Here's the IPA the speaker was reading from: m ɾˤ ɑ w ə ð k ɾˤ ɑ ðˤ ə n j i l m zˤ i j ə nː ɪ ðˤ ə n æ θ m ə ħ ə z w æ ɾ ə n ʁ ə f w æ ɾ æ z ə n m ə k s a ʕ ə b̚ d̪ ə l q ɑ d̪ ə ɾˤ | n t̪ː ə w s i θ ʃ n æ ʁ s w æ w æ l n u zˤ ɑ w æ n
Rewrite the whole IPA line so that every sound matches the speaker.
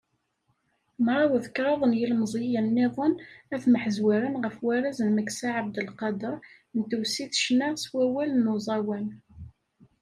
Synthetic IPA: m ɾˤ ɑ w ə ð k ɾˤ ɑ ðˤ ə n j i l m zˤ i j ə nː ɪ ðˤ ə n æ θ m ə ħ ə z w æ ɾ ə n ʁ ə f w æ ɾ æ z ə n m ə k s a ʕ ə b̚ d̪ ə l q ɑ d̪ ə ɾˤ | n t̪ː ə w s i θ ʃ n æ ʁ s w æ w æ l n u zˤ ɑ w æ n

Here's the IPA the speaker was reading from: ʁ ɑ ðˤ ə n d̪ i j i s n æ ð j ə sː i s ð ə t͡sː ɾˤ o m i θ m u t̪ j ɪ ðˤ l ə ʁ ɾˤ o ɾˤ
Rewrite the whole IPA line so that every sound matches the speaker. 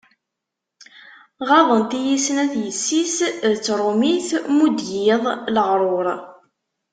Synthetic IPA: ʁ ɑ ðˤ ə n t̪ i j i s n æ θ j ə sː i s ð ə t͡sː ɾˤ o m i θ m u d̪ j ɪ ðˤ l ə ʁ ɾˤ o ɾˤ

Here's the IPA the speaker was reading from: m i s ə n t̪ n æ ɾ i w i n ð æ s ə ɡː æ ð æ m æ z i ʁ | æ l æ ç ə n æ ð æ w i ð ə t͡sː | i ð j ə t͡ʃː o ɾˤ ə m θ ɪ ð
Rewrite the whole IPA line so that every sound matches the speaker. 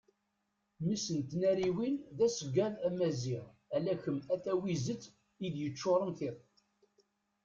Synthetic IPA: m i s ə n t̪ n æ ɾ i w i n ð æ s ə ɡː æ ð æ m æ z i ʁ | æ l æ ç ə m æ θ æ w i z ə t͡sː | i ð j ə t͡ʃː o ɾˤ ə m θ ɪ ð

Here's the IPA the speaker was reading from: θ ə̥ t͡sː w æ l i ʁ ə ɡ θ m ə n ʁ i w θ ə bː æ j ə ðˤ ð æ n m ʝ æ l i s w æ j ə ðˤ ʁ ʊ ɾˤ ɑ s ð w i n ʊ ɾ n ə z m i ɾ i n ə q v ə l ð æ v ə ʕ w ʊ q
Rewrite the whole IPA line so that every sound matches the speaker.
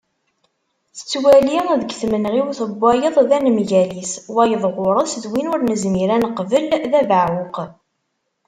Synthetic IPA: θ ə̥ t͡sː w æ l i ð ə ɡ θ m ə n ʁ i w θ ə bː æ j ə ðˤ ð æ n m ʝ æ l i s w æ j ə ðˤ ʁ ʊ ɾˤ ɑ s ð w i n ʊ ɾ n ə z m i ɾ æ n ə q v ə l ð æ v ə ʕ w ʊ q

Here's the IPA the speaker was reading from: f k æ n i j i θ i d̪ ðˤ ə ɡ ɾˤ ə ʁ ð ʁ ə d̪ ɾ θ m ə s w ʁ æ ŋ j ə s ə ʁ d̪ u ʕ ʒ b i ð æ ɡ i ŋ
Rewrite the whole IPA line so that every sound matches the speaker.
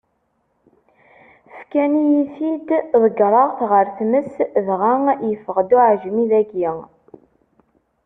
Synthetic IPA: f k æ n i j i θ i d̪ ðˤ ə ɡ ɾˤ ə ʁ θ ʁ ə ɾ θ m ə s v ʁ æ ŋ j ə f ə ʁ d̪ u ʕ ʒ m i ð æ ɡ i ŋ

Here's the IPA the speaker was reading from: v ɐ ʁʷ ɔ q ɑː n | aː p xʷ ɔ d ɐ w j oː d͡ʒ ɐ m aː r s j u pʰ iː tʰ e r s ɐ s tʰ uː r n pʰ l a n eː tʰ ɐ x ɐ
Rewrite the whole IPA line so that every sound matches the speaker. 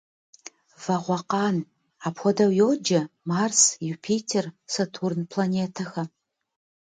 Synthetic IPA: v ɐ ʁʷ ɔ q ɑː n | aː p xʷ ɔ d ɐ w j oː d͡ʒ ɐ m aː r s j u pʰ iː tʰ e r s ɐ tʰ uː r n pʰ l a n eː tʰ ɐ x ɐ

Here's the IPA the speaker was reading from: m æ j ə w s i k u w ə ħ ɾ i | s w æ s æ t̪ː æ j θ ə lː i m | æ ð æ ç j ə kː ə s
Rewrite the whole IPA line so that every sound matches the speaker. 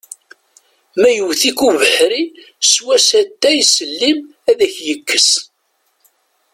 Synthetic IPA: m æ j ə w θ i k u v ə ħ ɾ i | s w æ s æ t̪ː æ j s ə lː i m | æ ð æ ç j ə kː ə s

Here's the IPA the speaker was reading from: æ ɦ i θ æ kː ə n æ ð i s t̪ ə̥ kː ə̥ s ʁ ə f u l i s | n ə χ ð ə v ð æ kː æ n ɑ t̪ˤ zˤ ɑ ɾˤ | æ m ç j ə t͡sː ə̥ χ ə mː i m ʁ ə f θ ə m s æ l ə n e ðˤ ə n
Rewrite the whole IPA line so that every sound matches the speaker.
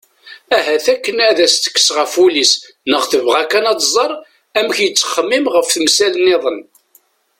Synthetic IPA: æ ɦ æ θ æ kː ə n æ ð æ s t̪ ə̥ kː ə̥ s ʁ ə f u l i s | n ə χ θ ə v ʁ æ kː æ n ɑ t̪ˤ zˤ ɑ ɾˤ | æ m ç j ə t͡sː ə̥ χ ə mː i m ʁ ə f θ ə m s æ l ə n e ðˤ ə n

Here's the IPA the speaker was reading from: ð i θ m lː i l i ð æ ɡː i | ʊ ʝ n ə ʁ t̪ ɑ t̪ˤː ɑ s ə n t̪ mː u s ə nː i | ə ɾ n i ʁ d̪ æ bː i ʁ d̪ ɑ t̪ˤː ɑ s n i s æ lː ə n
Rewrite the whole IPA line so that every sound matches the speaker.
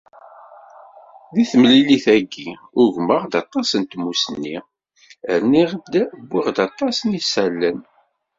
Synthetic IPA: ð i θ m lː i l i θ æ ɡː i | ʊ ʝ m ə ʁ d̪ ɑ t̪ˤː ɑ s ə n t̪ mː u s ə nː i | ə ɾ n i ʁ d̪ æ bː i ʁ d̪ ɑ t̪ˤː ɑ s n i s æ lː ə n

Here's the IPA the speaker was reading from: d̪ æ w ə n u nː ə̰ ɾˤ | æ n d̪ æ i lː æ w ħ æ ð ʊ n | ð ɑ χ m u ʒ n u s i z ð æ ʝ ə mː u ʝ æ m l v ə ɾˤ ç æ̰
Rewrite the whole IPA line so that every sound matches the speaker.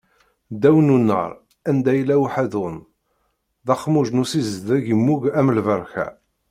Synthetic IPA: d̪ æ w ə n u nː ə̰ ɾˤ | æ n d̪ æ j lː æ w ħ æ ð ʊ n | ð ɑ χ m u ʒ n u s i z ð æ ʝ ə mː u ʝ æ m l v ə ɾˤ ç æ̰

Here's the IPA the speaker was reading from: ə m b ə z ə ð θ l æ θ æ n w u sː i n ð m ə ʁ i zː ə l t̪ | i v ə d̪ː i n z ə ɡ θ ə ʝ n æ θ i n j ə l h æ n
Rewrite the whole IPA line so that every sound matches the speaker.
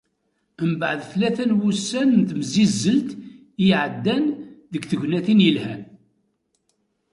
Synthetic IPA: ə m b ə ʕ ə ð θ l æ θ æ n w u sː æ n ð m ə z i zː ə l t̪ | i ʕ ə d̪ː æ n ð ə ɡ θ ə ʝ n æ θ i n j ə l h æ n

